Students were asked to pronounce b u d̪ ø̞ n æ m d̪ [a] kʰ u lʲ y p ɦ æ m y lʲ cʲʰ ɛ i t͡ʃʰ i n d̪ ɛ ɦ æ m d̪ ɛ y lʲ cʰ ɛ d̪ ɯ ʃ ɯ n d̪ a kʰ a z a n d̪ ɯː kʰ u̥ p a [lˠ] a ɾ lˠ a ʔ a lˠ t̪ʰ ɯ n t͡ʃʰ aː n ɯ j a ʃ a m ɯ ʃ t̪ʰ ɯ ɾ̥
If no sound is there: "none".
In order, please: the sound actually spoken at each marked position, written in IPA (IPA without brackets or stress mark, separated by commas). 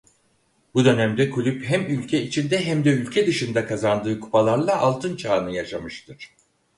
ɛ, lˠ